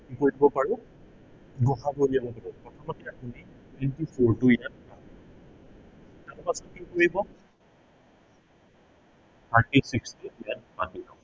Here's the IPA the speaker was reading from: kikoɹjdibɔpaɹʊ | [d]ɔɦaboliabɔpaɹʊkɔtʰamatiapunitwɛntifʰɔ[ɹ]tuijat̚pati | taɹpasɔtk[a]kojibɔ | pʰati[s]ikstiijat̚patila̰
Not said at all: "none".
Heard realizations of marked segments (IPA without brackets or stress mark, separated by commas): ɡ, ɹ, i, s